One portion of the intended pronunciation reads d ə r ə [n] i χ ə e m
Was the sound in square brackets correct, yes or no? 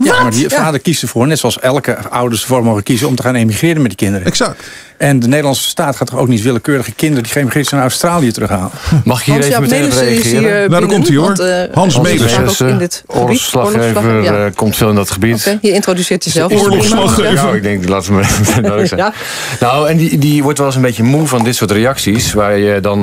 no